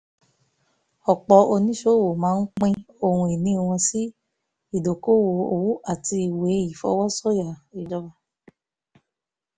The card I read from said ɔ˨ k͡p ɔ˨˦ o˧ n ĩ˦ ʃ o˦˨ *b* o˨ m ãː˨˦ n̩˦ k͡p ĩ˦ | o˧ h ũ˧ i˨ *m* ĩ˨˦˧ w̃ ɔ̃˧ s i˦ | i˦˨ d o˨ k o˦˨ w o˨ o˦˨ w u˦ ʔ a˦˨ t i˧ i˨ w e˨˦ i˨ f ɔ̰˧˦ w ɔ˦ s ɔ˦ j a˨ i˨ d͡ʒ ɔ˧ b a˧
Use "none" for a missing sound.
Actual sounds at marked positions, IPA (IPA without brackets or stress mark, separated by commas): w, n